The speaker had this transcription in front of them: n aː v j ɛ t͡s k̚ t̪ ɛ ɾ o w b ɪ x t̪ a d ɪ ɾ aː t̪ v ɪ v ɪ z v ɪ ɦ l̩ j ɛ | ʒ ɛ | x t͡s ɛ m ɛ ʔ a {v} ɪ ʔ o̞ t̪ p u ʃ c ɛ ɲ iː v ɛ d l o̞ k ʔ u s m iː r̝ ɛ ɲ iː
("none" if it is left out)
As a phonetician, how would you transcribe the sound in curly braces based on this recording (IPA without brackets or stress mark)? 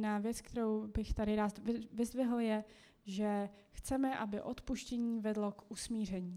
b